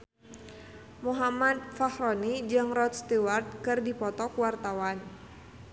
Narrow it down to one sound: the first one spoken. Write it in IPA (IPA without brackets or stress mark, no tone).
m